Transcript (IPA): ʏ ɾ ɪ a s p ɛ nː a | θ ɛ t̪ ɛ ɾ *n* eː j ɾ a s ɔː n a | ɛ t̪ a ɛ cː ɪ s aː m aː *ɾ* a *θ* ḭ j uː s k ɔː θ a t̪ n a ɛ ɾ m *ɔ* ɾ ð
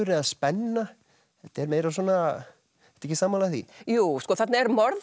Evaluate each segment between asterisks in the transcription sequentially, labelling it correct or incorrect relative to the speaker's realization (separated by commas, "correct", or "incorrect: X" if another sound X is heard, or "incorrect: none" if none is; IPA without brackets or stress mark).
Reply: incorrect: m, incorrect: l, correct, correct